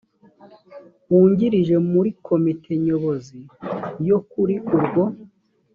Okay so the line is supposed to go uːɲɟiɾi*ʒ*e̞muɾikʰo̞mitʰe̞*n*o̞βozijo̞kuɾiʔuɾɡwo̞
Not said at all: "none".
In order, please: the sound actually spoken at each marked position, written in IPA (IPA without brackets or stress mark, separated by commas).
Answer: ʒ, ɲ